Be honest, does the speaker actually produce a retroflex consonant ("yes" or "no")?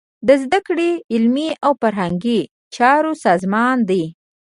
yes